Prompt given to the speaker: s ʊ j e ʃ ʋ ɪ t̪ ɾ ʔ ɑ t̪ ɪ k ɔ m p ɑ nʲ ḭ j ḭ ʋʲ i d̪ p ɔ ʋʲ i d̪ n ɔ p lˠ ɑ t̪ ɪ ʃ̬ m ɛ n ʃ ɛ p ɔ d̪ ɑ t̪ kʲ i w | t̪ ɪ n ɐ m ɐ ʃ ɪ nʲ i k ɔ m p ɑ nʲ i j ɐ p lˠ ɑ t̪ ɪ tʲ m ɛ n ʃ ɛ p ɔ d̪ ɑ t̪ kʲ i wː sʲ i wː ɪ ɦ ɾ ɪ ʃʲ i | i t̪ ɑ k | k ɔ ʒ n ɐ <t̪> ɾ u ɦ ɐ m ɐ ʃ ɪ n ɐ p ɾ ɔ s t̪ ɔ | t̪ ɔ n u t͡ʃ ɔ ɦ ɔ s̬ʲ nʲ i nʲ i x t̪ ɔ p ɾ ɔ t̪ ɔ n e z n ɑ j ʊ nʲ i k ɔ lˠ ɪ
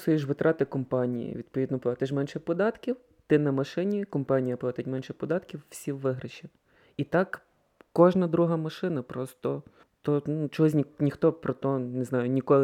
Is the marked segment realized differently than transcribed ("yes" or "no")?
yes